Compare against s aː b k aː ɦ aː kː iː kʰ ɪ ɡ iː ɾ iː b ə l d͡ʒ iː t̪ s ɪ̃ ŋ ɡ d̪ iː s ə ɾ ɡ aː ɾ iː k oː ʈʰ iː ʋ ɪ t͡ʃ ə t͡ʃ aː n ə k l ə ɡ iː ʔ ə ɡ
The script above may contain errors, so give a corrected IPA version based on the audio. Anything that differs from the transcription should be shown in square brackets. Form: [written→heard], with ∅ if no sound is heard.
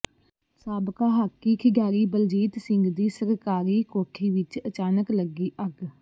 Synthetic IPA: s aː b k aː ɦ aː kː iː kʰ ɪ ɡ [iː→aː] ɾ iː b ə l d͡ʒ iː t̪ s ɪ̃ ŋ ɡ d̪ iː s ə ɾ [ɡ→k] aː ɾ iː k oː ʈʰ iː ʋ ɪ t͡ʃ ə t͡ʃ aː n ə k l ə ɡ iː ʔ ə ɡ